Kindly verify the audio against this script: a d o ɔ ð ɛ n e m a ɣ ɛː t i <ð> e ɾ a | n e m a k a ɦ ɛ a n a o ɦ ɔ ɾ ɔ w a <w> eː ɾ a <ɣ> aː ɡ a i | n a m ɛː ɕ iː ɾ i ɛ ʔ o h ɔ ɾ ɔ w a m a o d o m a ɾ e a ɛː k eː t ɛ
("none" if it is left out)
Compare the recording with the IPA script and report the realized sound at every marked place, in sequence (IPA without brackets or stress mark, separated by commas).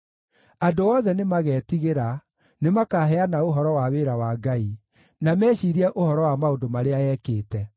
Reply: ɣ, w, w